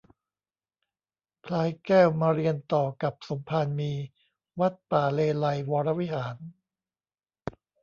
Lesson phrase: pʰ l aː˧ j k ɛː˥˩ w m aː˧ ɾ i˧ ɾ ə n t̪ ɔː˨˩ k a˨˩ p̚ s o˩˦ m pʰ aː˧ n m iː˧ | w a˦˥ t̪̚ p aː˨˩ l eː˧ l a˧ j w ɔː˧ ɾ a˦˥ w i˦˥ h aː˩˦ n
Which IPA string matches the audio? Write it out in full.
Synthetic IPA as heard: pʰ l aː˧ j k ɛː˥˩ w m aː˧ ɾ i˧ ə n t̪ ɔː˨˩ k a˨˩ p̚ s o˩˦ m pʰ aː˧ n m iː˧ | w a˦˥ t̪̚ p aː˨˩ l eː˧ l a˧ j w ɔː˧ ɾ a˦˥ w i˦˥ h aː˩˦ n